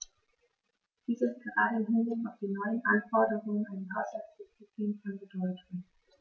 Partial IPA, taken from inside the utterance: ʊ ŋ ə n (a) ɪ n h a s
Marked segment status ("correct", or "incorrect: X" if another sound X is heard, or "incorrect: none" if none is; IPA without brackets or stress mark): correct